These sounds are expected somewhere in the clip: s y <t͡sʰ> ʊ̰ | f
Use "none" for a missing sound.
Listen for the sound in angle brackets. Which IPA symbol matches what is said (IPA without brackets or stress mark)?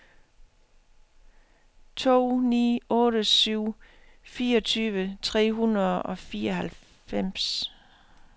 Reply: none